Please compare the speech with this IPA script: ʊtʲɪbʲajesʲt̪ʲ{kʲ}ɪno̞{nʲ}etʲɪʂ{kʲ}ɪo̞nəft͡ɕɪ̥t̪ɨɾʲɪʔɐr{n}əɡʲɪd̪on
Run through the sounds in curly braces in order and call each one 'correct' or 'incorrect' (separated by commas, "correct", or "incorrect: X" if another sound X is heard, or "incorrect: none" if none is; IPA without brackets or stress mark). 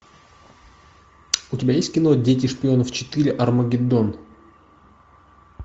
correct, incorrect: dʲ, incorrect: pʲ, incorrect: m